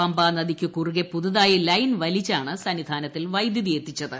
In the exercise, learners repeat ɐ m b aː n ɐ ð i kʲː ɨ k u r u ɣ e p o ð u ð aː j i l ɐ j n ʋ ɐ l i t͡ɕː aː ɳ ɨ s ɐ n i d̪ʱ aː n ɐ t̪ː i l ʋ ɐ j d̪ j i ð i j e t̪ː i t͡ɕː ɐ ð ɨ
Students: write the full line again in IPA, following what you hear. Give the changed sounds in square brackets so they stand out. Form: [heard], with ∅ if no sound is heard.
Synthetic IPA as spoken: ɐ m b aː n ɐ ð i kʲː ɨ k u r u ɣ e p [u] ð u ð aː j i l ɐ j n ʋ ɐ l i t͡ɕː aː ɳ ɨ s ɐ n i d̪ʱ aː n ɐ t̪ː i l ʋ ɐ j d̪ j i ð i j e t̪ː i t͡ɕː ɐ ð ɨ